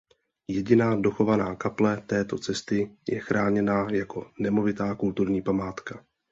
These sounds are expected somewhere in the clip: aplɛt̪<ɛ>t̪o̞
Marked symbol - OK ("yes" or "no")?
no